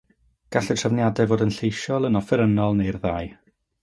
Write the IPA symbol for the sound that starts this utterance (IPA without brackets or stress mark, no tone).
ɡ̥